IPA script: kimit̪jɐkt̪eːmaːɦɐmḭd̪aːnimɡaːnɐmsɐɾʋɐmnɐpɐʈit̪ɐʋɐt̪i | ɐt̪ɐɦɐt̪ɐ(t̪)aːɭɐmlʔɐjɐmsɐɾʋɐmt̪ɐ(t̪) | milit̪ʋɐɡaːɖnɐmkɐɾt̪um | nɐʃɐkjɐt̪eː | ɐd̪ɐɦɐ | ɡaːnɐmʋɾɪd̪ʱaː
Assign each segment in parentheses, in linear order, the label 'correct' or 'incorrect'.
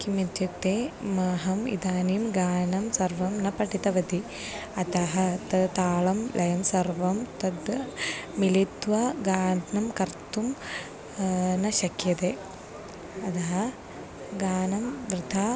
correct, incorrect: d̪

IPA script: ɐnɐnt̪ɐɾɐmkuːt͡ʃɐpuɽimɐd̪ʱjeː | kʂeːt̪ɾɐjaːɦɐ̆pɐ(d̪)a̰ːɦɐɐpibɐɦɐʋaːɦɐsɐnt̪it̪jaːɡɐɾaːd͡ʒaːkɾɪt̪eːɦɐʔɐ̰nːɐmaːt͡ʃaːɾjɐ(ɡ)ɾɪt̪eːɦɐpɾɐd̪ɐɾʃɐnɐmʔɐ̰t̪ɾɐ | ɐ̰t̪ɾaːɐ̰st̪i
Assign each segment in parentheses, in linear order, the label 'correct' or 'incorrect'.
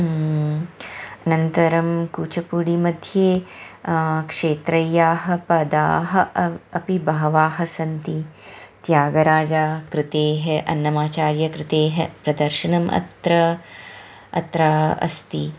correct, incorrect: k

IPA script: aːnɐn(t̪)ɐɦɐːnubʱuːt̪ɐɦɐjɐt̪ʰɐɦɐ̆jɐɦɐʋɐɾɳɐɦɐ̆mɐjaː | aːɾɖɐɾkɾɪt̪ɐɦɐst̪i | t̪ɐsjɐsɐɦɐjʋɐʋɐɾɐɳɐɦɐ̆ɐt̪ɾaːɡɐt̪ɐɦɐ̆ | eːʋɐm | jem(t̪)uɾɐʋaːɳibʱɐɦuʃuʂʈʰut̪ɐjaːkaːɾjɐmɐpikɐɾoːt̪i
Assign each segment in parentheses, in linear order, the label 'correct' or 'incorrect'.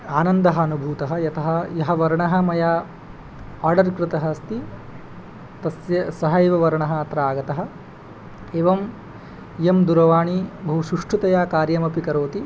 incorrect: d̪, incorrect: d̪

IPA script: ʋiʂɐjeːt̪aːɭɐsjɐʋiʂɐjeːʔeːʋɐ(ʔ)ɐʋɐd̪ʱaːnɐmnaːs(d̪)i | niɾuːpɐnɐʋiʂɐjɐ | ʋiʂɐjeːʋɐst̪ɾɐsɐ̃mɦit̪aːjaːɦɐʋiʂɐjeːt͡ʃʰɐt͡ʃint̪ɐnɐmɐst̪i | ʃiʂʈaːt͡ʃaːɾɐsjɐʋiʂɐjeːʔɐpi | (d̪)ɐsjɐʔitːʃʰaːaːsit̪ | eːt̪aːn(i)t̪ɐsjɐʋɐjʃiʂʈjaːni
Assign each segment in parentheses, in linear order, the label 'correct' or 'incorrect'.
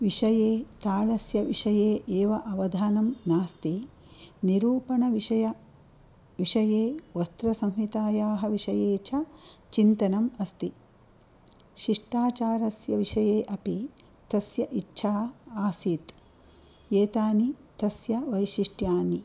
correct, incorrect: t̪, incorrect: t̪, correct

